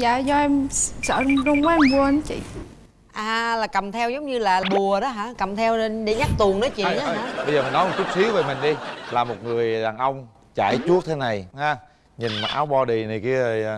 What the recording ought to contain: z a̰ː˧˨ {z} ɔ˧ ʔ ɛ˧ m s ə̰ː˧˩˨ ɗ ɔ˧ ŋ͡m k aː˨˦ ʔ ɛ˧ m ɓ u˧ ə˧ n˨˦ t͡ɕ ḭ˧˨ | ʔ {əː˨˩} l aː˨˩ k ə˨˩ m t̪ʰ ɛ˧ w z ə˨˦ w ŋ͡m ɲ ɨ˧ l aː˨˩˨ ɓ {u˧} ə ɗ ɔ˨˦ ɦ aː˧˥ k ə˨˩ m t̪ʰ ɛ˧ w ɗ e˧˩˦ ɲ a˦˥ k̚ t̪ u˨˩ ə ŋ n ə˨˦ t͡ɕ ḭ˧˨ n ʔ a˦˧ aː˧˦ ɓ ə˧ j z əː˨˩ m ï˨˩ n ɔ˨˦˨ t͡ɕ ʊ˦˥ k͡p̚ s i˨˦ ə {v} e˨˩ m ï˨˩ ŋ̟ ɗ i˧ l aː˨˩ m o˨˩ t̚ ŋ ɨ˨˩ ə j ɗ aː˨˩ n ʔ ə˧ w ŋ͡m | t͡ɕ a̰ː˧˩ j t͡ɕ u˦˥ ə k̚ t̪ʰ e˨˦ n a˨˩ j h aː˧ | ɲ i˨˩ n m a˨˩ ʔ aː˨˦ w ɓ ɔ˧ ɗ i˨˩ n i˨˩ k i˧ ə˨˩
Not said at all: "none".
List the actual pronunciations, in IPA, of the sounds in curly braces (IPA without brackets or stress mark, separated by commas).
z, aː˨˩, u˨˩, v